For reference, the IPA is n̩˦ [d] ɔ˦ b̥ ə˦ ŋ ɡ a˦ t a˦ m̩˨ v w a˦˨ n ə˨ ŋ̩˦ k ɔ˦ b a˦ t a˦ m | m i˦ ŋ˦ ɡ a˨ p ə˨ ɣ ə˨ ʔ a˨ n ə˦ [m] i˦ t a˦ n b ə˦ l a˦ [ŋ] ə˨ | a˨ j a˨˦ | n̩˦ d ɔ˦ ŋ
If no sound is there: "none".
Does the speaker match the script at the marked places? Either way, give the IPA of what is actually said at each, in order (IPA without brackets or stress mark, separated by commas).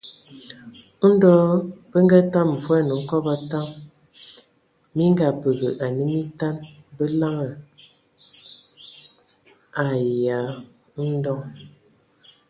d, m, ŋ